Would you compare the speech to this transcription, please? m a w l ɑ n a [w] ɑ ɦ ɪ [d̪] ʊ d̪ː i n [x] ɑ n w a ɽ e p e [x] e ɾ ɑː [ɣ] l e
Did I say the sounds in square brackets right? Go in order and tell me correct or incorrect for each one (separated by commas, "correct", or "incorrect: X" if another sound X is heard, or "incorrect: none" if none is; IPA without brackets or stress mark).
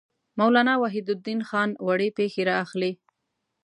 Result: correct, correct, correct, correct, incorrect: x